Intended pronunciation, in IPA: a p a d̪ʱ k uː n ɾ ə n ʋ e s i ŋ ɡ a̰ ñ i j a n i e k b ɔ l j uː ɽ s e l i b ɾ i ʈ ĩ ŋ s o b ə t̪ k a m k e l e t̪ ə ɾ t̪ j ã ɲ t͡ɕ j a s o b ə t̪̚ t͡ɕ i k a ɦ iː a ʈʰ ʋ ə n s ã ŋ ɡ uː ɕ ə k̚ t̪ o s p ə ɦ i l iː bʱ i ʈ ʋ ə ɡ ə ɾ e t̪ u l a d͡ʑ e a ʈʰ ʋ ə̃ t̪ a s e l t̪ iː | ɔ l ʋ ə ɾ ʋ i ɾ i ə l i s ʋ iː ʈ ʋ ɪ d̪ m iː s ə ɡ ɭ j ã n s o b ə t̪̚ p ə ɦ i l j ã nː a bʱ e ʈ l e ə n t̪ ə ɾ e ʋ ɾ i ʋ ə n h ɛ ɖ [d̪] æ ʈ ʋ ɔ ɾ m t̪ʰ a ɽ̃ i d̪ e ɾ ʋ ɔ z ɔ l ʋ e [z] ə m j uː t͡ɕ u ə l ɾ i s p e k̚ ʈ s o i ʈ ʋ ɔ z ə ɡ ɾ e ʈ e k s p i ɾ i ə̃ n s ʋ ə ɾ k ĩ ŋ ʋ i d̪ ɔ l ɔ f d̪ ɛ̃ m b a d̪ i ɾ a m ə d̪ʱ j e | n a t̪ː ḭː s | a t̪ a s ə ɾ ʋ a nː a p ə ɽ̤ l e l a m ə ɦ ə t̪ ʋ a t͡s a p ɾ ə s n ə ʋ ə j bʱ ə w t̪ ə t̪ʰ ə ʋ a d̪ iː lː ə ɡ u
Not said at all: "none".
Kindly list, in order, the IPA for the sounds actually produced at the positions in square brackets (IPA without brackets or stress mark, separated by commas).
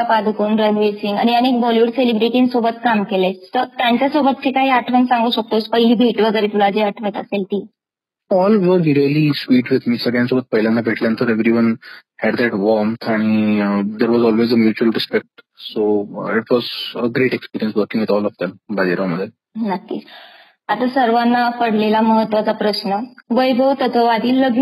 d̪, z